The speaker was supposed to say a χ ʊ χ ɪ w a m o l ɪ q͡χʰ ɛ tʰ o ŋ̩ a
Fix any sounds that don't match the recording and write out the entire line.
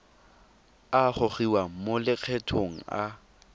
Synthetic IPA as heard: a χ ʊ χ i w a m o l ɪ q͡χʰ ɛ tʰ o ŋ̩ a